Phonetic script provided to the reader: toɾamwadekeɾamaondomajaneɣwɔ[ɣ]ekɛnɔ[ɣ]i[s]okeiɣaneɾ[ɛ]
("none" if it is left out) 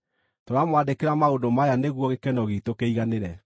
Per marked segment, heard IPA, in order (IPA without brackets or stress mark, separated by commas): ɣ, ɣ, t, ɛ